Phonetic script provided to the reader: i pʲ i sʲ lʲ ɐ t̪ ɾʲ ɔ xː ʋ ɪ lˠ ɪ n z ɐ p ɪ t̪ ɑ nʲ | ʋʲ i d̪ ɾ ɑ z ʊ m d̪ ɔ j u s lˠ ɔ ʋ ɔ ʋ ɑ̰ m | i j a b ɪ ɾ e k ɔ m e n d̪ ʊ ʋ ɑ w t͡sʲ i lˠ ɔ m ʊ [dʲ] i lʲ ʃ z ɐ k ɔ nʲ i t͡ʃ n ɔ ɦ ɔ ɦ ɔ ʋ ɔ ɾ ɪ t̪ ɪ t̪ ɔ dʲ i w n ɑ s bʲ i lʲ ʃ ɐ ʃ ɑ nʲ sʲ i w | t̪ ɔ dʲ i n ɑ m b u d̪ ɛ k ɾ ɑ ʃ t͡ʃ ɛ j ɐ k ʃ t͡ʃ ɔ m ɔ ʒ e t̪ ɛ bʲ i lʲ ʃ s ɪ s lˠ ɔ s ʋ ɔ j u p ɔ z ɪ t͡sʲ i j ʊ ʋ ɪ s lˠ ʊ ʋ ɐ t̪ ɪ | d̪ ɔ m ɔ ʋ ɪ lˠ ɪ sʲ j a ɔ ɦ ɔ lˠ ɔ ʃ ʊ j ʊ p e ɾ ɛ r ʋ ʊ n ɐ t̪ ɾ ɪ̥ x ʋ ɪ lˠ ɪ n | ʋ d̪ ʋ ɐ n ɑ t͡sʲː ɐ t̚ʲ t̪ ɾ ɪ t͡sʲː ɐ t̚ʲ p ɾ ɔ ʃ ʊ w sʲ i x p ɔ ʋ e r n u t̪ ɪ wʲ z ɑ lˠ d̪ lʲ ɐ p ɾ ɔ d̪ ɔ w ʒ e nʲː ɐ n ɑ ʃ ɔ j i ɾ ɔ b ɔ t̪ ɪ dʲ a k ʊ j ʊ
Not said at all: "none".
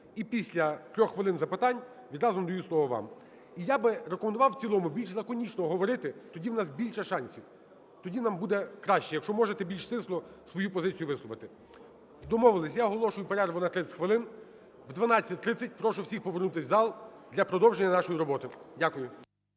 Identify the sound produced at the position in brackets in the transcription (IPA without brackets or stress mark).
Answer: bʲ